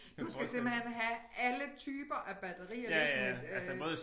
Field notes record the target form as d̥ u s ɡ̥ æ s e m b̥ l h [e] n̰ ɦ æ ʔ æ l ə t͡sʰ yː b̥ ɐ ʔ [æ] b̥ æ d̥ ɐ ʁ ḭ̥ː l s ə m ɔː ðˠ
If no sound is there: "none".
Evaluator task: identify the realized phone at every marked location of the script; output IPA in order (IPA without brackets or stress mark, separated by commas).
e, æ